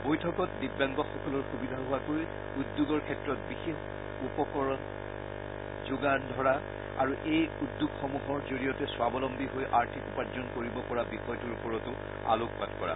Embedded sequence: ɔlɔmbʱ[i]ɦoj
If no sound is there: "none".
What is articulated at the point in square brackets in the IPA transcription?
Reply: i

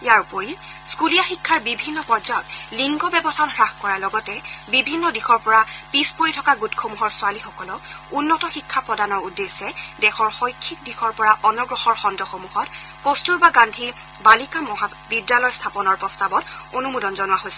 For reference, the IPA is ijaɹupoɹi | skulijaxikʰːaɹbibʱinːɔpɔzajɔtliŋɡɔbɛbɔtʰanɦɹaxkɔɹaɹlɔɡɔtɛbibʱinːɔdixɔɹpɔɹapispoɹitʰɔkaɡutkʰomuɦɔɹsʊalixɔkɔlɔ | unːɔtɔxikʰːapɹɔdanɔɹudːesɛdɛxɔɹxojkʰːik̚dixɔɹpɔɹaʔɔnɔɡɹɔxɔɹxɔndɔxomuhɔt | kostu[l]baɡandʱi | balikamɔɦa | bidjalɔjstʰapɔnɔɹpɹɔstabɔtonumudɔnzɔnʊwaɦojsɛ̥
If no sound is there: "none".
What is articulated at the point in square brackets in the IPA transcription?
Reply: ɹ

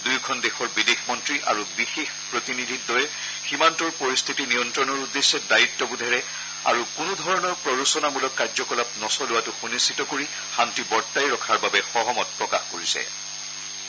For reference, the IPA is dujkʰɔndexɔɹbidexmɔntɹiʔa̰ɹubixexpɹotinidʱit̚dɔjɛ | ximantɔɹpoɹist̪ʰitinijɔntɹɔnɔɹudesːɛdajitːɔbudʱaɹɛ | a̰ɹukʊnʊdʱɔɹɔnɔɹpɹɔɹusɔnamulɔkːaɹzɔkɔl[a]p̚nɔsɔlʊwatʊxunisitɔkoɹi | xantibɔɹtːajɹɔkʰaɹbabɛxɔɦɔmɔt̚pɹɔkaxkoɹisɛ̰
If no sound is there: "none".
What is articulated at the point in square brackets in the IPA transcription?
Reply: a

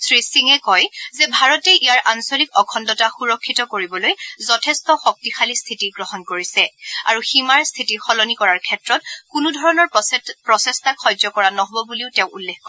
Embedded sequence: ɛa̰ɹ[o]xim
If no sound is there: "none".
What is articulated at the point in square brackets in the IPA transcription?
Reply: u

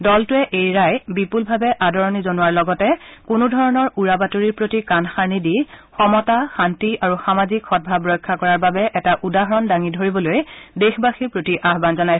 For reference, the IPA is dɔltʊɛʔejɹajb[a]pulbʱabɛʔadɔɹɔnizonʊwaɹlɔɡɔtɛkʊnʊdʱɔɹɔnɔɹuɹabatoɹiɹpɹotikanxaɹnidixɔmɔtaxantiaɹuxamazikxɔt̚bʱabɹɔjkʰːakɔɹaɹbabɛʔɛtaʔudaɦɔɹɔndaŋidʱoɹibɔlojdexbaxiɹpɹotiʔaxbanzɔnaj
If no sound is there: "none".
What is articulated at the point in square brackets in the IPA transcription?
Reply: i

